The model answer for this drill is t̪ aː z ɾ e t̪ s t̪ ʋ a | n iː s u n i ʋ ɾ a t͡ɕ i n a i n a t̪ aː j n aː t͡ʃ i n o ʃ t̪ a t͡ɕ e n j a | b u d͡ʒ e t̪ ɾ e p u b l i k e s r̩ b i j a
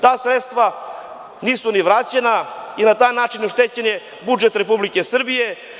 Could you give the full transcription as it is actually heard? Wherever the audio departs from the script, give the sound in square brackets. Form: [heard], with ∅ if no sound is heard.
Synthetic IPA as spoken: t̪ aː [s] ɾ e t̪ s t̪ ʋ a | n iː s u n i ʋ ɾ a t͡ɕ [e] n a i n a t̪ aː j n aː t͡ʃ i n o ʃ t̪ [e] t͡ɕ e n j [e] | b u d͡ʒ e t̪ ɾ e p u b l i k e s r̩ b i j [e]

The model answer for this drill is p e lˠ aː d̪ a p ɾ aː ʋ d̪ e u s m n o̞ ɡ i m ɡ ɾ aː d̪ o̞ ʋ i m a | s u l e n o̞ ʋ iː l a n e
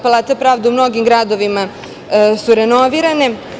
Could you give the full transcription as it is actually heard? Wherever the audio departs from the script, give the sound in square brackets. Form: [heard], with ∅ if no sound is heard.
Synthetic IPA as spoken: p [a] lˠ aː [t̪] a p ɾ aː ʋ d̪ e u [∅] m n o̞ ɡ i m ɡ ɾ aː d̪ o̞ ʋ i m a | s u [ɾ] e n o̞ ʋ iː [ɾ] a n e

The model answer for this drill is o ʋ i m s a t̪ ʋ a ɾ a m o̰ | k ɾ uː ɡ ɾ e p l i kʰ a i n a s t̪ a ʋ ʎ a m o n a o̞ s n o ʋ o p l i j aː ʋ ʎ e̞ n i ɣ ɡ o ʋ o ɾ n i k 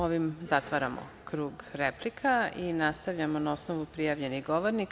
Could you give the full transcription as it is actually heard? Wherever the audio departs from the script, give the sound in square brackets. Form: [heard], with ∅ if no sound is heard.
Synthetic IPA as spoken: o ʋ i m [z] a t̪ ʋ a ɾ a m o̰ | k ɾ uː ɡ ɾ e p l i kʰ a i n a s t̪ a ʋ ʎ a m o n a o̞ s n o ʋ [u] p [ɾ] i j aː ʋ ʎ e̞ n i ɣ ɡ o ʋ o ɾ n i k

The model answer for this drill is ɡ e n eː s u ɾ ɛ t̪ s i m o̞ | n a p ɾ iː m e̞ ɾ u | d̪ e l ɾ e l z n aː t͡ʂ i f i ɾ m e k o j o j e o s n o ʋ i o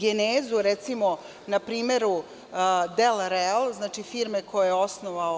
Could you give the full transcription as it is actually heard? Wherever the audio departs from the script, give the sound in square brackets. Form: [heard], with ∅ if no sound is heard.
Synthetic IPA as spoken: ɡ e n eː [z] u ɾ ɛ t̪ s i m o̞ | n a p ɾ iː m e̞ ɾ u | d̪ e l ɾ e l z n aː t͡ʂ i f i ɾ m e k o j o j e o s n o ʋ [a] o

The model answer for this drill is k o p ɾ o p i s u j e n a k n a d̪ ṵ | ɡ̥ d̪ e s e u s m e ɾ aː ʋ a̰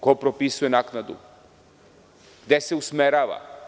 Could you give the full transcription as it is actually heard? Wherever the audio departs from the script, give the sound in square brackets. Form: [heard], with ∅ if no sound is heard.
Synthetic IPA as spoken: k o p ɾ o p i s u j e n a k n a d̪ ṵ | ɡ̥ d̪ e s e u s m e ɾ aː ʋ a̰

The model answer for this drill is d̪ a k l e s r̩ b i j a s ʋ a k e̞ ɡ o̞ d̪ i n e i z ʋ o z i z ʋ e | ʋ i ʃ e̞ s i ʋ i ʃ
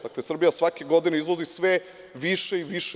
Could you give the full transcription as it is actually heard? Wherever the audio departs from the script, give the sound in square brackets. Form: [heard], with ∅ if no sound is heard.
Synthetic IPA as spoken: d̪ a k l e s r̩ b i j a s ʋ a k e̞ ɡ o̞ d̪ i n e i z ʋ o z i [s] ʋ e | ʋ i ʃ e̞ [∅] i ʋ i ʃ

